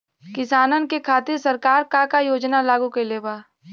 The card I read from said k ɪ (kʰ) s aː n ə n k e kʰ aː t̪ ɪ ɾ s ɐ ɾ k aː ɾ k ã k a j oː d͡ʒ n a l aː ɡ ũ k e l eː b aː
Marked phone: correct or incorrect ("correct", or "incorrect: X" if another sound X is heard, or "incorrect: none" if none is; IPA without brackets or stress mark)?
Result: incorrect: none